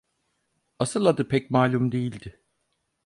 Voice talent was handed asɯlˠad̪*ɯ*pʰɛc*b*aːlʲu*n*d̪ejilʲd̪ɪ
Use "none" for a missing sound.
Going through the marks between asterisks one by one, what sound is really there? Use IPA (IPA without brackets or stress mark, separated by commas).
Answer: ɯ, m, m